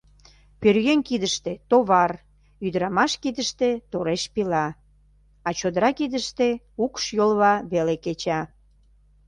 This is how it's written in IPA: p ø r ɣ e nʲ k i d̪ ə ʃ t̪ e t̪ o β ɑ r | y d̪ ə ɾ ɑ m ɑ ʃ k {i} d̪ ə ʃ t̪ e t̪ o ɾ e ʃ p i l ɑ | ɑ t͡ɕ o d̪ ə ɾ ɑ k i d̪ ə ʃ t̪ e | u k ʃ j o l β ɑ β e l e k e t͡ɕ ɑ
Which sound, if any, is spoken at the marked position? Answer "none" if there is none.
i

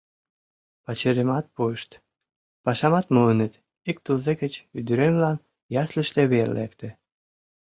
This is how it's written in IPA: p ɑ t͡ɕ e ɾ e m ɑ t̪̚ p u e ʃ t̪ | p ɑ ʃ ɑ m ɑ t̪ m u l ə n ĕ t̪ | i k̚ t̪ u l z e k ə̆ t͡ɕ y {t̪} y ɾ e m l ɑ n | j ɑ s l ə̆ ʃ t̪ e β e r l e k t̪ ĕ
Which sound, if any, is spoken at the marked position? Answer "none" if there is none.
d̪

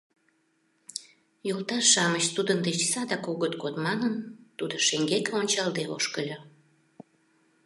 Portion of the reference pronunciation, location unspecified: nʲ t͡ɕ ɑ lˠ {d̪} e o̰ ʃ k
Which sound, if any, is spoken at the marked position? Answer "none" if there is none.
d̪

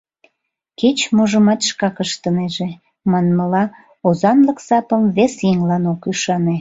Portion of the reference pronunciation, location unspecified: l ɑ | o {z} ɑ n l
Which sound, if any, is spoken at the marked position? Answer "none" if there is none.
z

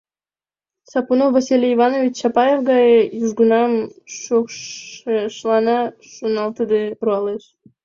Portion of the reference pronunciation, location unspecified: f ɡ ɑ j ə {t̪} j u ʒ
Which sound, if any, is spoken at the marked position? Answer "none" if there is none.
none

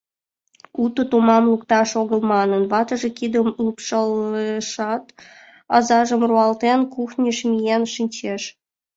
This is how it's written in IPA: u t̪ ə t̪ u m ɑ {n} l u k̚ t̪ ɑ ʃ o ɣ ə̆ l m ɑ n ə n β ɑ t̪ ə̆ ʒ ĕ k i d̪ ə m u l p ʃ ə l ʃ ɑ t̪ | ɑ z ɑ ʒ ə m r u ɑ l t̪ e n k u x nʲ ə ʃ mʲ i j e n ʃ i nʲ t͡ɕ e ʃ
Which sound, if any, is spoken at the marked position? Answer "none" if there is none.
m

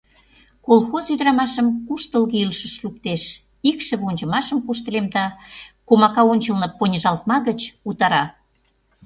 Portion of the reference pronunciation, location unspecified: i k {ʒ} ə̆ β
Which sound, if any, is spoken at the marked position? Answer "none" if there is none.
ʃ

